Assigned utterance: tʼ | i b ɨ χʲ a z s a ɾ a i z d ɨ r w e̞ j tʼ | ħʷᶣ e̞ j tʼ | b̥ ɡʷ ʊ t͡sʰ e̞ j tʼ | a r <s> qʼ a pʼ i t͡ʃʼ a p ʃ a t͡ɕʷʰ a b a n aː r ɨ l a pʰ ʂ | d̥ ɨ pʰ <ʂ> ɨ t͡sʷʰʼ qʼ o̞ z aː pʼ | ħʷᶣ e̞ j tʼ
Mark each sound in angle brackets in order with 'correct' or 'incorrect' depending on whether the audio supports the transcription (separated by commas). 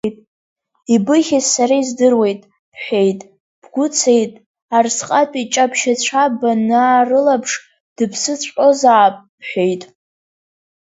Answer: correct, incorrect